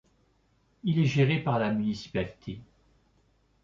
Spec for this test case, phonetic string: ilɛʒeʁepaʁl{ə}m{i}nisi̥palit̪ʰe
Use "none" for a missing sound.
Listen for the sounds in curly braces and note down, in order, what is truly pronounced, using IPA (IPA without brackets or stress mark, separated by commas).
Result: a, y